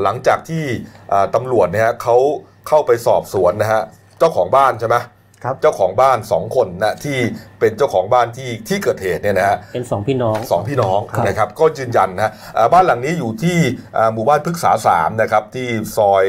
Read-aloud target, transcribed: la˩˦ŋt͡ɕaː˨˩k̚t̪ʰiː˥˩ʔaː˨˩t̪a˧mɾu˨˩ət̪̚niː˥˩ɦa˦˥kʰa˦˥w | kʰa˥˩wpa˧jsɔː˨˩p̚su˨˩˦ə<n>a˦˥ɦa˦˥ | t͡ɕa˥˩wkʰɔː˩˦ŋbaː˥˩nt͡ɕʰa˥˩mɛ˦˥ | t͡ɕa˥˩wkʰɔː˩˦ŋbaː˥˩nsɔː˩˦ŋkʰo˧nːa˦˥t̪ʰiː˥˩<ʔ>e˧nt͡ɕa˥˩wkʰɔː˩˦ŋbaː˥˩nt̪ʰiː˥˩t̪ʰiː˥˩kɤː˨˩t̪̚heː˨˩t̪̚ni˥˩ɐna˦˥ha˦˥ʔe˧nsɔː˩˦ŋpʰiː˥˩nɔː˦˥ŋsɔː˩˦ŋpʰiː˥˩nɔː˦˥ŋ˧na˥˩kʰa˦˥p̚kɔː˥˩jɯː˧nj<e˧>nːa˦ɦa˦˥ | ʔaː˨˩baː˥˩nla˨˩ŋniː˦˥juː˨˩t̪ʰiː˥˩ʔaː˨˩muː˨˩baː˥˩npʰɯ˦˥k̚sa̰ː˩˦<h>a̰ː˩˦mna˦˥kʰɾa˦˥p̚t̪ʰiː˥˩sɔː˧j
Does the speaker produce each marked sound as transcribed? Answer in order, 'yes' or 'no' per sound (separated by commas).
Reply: no, no, no, no